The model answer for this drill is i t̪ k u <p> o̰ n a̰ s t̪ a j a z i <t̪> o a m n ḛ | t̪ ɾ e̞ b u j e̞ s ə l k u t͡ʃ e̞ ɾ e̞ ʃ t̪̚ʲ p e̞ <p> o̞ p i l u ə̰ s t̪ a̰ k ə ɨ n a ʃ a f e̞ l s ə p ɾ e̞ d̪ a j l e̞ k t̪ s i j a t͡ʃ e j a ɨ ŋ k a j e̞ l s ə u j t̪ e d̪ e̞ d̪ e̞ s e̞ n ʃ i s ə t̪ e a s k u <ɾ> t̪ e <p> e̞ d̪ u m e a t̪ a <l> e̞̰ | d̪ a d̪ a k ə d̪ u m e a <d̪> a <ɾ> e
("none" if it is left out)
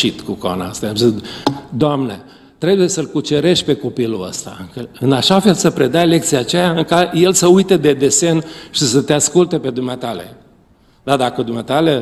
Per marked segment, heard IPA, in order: k, d̪, k, l, p, l, t̪, l

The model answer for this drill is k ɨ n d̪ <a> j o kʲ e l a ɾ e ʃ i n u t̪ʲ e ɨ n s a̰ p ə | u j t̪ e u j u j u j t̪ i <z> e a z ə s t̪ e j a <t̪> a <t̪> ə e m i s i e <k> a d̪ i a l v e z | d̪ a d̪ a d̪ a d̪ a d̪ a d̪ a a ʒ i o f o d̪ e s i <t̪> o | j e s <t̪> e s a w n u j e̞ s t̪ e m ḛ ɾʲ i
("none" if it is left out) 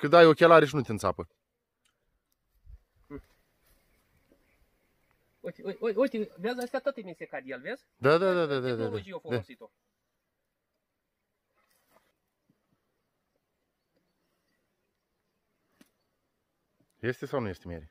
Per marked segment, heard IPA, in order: a, v, t̪, t̪, k, t̪, t̪

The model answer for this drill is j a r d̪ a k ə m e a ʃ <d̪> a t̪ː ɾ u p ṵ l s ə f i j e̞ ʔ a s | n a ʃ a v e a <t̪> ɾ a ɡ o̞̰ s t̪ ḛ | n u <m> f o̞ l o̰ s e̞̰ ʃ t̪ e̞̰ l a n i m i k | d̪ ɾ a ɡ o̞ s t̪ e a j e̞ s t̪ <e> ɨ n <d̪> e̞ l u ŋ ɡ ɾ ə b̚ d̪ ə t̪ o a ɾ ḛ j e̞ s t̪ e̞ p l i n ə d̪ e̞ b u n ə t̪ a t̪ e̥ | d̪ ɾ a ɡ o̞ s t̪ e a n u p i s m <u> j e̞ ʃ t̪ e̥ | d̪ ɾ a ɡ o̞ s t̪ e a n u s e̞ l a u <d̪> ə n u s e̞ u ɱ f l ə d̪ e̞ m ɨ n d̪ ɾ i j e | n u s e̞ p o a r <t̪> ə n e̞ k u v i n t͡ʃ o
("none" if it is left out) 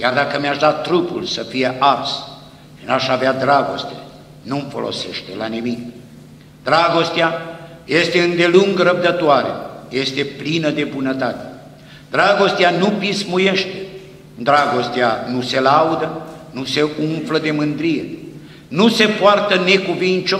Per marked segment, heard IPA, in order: d̪, d̪, m, e, d̪, u, d̪, t̪

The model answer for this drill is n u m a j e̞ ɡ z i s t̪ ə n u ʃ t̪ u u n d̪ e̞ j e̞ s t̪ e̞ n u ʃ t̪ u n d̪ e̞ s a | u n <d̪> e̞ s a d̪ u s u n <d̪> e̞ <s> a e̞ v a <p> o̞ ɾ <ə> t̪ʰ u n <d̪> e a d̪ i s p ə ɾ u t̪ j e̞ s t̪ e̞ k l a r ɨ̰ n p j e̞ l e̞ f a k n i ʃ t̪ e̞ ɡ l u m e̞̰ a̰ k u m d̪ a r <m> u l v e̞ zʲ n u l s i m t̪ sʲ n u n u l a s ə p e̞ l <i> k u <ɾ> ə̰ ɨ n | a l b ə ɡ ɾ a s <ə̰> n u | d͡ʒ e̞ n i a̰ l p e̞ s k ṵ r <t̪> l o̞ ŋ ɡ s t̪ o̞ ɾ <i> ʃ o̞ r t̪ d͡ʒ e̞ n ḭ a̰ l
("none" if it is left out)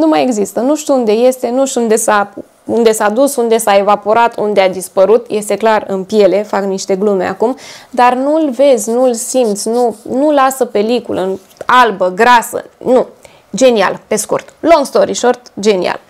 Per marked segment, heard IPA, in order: d̪, d̪, s, p, a, d̪, n, i, l, ə̰, t̪, i

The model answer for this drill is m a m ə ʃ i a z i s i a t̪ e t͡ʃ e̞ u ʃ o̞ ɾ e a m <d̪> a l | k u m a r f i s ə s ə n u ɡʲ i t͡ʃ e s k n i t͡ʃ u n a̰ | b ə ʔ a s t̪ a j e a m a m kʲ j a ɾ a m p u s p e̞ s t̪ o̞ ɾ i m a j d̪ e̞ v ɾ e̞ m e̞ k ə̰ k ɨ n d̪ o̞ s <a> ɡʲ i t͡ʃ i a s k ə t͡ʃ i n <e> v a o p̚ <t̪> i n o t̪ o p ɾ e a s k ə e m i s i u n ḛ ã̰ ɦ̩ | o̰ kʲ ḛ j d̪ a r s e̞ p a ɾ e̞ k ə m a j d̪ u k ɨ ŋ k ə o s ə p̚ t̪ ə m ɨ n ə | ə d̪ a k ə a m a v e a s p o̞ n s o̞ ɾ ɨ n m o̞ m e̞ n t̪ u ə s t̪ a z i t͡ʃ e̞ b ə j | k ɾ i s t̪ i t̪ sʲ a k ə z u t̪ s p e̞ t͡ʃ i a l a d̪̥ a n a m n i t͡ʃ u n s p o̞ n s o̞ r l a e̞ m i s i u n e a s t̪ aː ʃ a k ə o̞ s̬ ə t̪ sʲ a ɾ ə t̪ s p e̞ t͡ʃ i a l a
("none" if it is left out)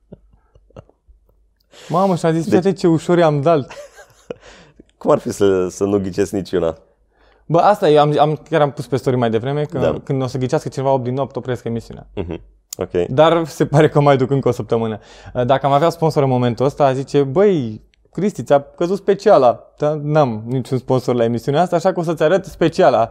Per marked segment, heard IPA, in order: d̪, ə, e, d̪

